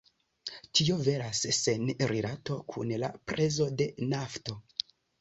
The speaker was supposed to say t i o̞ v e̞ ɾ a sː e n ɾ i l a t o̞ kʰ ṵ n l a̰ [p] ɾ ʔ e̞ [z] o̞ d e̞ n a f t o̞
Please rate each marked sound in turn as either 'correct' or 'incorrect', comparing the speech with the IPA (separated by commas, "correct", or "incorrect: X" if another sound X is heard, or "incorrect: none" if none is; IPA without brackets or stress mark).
correct, correct